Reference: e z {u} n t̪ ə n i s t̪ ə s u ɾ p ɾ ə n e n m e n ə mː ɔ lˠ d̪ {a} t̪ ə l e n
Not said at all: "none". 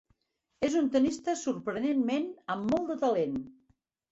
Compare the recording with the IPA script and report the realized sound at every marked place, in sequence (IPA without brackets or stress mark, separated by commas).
u, ə